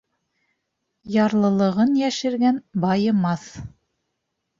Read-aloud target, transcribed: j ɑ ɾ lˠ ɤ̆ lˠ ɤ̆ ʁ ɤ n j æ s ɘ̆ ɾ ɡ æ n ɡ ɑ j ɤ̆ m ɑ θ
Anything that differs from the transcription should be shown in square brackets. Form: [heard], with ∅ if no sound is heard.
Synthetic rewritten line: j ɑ ɾ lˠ ɤ̆ lˠ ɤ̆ ʁ ɤ n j æ [ʃ] ɘ̆ ɾ ɡ æ n [b] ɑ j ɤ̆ m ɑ θ